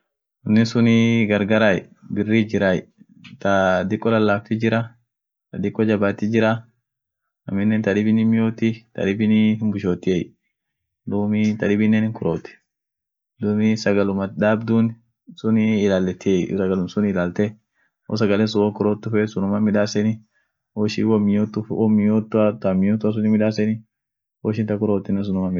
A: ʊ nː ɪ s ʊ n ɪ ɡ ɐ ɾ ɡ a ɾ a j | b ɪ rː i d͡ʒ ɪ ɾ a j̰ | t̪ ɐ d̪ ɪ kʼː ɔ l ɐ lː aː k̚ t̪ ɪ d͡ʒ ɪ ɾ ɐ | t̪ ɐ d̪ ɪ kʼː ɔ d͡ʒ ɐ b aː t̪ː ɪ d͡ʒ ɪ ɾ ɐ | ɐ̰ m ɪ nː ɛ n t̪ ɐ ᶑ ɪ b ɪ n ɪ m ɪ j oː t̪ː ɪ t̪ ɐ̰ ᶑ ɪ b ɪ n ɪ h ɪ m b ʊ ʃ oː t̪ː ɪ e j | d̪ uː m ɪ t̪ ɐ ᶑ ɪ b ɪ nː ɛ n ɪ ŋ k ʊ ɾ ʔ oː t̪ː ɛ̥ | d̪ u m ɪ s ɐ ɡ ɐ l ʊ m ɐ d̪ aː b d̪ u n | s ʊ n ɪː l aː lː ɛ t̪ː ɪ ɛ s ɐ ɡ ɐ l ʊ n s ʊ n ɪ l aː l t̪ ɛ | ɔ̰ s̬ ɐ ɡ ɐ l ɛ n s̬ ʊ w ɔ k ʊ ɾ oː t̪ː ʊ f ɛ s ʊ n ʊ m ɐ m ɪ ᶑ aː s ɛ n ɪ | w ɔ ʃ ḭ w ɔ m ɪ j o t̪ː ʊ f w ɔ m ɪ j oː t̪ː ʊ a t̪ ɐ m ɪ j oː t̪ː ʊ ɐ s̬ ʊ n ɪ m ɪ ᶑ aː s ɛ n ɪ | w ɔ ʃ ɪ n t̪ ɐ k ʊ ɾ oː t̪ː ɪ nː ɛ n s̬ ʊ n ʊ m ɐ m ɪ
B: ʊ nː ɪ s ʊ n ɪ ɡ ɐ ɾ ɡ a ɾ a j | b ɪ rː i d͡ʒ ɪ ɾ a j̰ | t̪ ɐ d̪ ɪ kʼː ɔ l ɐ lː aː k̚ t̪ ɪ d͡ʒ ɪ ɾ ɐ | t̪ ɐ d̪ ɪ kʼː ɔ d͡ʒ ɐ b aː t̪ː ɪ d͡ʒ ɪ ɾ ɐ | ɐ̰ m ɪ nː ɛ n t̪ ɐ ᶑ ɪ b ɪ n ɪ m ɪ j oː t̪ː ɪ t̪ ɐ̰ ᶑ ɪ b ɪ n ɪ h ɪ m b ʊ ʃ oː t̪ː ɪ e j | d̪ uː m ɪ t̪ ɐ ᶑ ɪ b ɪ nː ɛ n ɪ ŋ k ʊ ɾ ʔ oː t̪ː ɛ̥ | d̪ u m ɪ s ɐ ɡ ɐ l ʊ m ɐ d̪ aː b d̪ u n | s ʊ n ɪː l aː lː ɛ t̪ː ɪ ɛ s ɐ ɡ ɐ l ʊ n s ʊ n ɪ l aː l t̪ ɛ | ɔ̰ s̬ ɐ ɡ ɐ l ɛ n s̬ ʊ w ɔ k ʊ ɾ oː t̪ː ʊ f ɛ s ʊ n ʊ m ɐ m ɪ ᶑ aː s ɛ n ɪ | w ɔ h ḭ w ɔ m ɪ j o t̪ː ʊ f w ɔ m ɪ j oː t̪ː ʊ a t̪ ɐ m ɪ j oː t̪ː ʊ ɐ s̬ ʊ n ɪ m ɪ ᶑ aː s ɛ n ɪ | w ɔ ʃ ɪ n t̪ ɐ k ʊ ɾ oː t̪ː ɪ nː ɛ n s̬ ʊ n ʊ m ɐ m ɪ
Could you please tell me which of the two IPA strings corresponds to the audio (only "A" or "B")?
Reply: A